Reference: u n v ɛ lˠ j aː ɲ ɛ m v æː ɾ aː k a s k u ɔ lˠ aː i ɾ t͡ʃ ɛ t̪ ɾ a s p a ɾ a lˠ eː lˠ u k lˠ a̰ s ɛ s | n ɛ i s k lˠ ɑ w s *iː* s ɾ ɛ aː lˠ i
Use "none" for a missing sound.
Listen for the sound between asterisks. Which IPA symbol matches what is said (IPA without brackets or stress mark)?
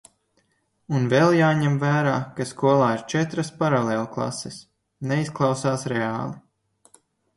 aː